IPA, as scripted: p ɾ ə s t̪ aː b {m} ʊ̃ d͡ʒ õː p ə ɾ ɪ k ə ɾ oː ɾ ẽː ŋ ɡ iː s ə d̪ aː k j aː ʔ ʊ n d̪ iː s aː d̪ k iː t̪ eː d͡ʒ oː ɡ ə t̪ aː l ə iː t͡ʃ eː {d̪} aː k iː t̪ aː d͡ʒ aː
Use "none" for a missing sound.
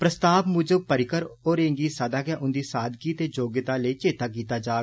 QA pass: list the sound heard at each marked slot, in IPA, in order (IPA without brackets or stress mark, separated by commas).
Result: m, t̪